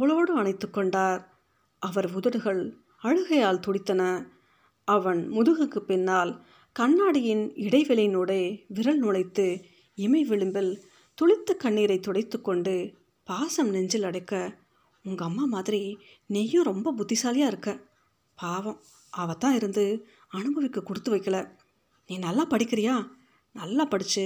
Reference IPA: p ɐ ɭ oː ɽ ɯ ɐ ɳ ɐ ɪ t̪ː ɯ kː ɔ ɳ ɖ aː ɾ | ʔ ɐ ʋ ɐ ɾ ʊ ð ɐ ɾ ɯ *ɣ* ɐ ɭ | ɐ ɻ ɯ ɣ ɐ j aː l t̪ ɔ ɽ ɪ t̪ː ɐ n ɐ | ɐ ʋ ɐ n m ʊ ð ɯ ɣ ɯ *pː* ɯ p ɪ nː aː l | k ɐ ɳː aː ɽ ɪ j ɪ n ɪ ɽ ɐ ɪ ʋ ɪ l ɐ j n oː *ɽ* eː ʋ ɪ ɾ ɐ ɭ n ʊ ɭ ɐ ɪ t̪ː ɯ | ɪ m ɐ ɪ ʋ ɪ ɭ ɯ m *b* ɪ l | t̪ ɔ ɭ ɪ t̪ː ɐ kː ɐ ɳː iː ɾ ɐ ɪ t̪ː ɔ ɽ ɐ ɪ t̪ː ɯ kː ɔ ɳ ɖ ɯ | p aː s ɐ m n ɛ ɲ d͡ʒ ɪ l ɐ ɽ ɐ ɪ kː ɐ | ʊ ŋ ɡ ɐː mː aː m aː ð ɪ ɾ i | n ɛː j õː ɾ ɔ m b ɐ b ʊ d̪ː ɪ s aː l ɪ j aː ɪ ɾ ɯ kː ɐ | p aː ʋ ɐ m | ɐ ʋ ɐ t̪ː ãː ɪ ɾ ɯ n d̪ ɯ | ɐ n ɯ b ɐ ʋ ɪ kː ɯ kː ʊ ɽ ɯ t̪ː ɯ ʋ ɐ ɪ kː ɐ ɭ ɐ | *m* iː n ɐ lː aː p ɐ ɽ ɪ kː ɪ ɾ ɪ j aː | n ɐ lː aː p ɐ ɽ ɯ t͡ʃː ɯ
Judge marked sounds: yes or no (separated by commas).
yes, no, yes, yes, no